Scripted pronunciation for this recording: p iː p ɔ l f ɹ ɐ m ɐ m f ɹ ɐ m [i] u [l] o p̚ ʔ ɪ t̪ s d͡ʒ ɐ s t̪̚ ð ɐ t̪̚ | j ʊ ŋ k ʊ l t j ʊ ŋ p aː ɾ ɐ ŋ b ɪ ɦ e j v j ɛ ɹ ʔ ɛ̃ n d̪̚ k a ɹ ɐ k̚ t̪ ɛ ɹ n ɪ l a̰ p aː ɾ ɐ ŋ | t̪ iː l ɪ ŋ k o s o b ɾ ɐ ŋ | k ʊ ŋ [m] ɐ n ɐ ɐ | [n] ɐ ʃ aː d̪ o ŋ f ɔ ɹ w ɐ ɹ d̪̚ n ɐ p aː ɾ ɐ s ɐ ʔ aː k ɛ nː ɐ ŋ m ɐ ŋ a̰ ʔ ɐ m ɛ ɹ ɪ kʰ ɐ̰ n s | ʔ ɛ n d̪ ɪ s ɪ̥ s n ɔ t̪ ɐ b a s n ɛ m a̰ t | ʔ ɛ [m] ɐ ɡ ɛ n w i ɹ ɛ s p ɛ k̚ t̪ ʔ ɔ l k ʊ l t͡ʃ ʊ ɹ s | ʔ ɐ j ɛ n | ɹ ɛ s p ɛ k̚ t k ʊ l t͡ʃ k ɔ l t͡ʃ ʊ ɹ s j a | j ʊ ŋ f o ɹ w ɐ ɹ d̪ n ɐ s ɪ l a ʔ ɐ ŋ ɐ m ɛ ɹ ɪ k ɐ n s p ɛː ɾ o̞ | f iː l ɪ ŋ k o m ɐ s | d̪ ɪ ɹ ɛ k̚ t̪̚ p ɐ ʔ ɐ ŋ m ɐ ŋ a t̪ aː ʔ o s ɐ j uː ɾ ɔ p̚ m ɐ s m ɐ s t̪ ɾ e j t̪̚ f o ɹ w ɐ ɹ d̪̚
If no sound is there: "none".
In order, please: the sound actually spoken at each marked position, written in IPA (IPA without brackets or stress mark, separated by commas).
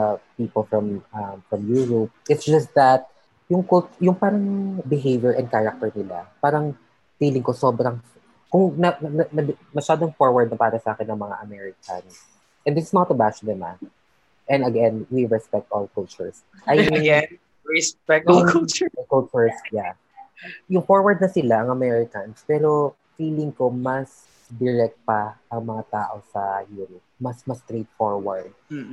j, ɹ, n, m, n